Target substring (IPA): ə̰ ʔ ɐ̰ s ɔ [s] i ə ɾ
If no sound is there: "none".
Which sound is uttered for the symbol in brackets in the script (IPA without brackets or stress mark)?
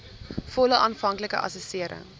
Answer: s